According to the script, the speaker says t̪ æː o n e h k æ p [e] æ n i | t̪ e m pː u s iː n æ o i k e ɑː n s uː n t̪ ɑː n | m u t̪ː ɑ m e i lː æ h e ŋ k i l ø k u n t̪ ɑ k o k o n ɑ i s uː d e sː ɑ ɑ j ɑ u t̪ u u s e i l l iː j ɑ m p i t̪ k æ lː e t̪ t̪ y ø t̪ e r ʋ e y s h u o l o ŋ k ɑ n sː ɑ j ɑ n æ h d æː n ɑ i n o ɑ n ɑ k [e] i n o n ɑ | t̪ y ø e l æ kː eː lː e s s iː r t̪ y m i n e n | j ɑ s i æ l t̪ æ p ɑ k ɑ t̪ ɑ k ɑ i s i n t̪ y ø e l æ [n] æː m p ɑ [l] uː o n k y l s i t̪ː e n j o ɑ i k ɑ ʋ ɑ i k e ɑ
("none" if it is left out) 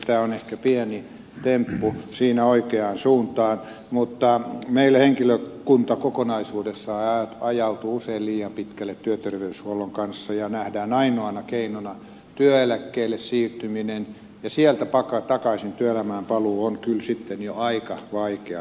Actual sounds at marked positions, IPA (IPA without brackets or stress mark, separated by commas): i, e, m, l